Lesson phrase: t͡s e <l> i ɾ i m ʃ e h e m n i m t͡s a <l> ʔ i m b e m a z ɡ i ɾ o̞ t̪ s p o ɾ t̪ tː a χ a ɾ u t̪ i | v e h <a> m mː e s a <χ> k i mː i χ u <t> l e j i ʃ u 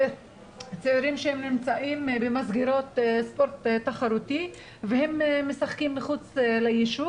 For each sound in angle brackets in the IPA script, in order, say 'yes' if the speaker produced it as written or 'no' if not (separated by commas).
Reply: no, no, no, yes, no